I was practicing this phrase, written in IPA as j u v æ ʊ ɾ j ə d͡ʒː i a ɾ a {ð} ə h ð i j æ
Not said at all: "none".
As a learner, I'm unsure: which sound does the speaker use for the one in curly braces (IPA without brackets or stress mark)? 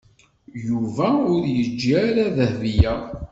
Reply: ð